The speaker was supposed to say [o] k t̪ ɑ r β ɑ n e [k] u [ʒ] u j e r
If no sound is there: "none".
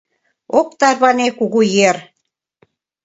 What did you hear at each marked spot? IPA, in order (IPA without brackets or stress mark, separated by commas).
o, k, ɣ